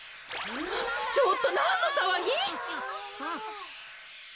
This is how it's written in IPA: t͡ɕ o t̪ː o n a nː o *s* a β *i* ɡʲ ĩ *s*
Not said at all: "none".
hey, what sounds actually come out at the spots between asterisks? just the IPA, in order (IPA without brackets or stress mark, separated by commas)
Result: s, a, none